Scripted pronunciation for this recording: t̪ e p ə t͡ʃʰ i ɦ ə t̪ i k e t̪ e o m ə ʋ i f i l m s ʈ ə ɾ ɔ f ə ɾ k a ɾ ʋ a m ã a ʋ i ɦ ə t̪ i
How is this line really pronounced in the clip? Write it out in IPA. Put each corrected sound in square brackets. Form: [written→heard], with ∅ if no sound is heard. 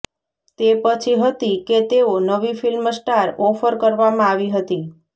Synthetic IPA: t̪ e p ə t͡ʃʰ i ɦ ə t̪ i k e t̪ e o [m→n] ə ʋ i f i l m s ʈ [ə→a] ɾ ɔ f ə ɾ k [a→ə] ɾ ʋ a m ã a ʋ i ɦ ə t̪ i